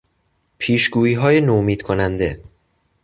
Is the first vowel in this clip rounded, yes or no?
no